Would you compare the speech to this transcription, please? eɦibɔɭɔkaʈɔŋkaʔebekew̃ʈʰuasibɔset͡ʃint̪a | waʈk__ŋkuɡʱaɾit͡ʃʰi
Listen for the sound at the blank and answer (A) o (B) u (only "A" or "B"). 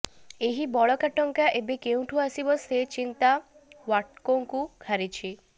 A